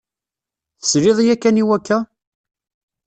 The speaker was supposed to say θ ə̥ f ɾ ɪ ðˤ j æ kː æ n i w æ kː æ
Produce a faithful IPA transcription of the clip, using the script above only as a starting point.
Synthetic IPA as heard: θ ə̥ s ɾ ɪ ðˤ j æ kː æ n i w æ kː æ